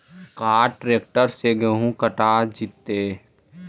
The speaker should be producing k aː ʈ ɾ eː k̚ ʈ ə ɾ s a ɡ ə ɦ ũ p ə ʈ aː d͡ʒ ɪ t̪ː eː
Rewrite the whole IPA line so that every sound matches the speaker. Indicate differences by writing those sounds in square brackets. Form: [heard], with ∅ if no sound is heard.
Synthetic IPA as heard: k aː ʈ ɾ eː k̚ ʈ ə ɾ s [e] ɡ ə ɦ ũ [k] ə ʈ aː d͡ʒ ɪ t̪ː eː